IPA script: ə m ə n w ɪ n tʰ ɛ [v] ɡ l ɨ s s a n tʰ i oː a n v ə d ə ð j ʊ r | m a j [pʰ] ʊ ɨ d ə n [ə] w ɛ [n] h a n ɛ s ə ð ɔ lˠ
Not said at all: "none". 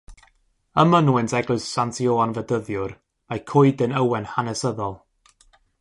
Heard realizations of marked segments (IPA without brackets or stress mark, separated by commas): none, kʰ, ə, n